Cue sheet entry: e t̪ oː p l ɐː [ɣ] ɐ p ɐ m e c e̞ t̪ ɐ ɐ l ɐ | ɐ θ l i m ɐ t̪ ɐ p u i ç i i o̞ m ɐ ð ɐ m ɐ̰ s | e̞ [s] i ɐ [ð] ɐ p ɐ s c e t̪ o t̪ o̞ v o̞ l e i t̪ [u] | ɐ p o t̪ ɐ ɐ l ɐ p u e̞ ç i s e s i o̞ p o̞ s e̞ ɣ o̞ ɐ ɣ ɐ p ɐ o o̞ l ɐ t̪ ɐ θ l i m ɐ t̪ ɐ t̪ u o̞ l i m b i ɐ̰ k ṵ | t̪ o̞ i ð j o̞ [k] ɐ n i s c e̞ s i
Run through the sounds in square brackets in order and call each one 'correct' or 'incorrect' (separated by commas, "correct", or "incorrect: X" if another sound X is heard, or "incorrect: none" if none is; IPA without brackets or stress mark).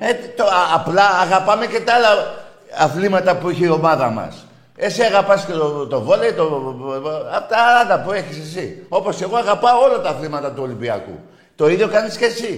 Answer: correct, correct, incorrect: ɣ, incorrect: o, correct